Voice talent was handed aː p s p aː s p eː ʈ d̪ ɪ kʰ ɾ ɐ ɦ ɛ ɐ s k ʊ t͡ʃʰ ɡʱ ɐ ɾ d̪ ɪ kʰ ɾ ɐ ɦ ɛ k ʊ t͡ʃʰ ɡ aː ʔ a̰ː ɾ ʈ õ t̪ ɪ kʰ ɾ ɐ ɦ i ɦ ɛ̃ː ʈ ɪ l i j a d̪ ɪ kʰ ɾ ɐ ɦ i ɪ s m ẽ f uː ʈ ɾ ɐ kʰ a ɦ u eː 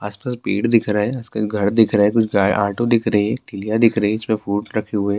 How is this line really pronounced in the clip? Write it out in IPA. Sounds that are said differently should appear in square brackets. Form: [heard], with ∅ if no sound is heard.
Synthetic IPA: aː [∅] s p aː s p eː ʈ d̪ ɪ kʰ ɾ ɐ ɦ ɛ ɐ s k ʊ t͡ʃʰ ɡʱ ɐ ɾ d̪ ɪ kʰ ɾ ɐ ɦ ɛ k ʊ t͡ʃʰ ɡ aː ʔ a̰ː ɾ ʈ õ [d̪] ɪ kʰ ɾ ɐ ɦ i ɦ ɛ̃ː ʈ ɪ l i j a d̪ ɪ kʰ ɾ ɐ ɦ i ɪ s m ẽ f uː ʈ ɾ ɐ kʰ [e] ɦ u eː